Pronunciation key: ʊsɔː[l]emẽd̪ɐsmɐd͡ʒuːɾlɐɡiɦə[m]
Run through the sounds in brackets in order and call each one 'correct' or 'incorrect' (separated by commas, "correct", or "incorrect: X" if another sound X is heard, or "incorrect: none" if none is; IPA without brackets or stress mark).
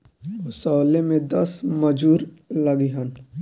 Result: correct, incorrect: n